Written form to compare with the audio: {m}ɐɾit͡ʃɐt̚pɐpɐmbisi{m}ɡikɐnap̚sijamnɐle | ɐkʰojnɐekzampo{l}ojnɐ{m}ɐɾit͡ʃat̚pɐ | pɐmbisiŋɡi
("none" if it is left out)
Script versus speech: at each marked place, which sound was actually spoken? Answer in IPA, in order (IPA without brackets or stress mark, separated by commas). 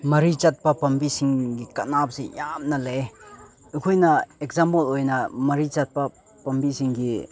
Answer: m, ŋ, l, m